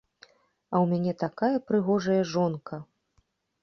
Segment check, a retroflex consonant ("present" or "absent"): present